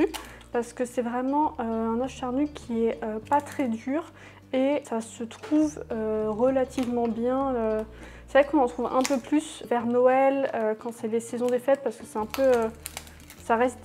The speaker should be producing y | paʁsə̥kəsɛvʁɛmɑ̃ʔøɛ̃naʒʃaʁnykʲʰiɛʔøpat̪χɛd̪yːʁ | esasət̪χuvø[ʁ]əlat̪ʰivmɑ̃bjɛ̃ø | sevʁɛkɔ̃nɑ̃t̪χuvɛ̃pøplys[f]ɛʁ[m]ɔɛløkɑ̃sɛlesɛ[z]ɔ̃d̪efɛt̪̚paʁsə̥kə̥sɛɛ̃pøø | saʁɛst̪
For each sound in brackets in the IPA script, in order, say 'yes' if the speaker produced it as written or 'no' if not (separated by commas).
yes, no, no, yes